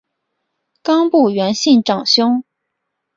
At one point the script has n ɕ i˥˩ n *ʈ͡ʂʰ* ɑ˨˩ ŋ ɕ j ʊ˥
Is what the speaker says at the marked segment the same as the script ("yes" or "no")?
no